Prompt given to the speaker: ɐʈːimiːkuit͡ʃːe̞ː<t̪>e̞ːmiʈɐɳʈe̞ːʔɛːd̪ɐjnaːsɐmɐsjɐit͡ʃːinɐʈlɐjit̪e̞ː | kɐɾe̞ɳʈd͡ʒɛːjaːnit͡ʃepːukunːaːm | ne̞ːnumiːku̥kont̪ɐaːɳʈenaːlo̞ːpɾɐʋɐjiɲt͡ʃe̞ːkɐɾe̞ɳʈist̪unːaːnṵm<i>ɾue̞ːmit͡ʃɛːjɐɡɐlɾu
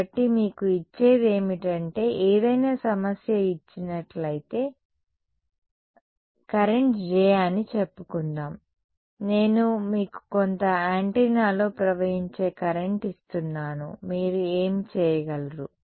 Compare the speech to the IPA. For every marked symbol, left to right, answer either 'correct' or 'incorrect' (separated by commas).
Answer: incorrect, incorrect